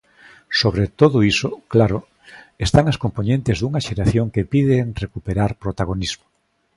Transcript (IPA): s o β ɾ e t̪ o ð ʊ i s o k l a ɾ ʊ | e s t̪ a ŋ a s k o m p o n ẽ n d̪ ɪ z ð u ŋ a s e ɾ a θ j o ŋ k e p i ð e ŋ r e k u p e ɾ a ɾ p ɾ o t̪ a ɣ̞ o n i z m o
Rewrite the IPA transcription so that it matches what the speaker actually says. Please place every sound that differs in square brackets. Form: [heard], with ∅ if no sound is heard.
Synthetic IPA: s o β ɾ e t̪ o ð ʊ i s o k l a ɾ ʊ | e s t̪ a ŋ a s k o m p o n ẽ n [t̪] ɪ z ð u ŋ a [ʃ] e ɾ a θ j o ŋ k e p i ð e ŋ r e k u p e ɾ a ɾ p ɾ o t̪ a ɣ̞ o n i z m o